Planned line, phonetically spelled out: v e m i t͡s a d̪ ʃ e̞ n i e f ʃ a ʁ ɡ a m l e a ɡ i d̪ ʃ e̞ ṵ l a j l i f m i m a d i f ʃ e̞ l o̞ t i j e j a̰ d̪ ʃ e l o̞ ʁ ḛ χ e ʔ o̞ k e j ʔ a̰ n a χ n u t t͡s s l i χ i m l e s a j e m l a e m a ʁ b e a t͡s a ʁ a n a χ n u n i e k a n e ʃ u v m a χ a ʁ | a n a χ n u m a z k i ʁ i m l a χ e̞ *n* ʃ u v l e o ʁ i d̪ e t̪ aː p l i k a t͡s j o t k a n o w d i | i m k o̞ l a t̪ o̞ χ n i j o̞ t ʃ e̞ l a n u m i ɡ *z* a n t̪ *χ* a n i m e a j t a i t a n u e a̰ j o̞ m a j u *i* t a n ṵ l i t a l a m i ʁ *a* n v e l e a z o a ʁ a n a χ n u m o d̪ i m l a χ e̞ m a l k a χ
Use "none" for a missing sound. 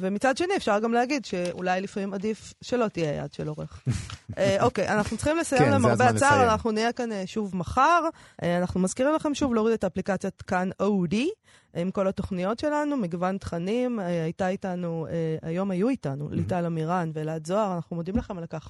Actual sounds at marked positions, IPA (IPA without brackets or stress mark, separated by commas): m, v, χ, i, a